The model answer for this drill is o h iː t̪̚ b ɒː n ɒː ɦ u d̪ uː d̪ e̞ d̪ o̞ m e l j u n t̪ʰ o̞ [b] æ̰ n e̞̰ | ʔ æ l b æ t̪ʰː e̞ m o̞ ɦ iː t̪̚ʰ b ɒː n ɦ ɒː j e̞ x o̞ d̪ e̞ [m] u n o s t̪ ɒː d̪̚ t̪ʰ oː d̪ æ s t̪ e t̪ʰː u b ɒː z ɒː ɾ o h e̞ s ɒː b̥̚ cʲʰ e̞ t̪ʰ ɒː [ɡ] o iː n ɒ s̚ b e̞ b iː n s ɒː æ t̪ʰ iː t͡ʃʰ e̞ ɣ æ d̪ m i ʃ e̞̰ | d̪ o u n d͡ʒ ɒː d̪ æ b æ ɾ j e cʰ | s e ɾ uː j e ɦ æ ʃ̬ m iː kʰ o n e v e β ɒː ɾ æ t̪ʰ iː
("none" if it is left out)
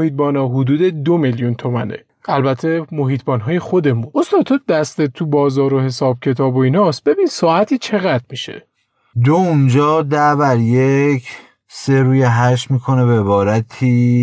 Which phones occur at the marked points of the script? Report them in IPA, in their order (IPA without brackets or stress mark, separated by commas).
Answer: m, m, b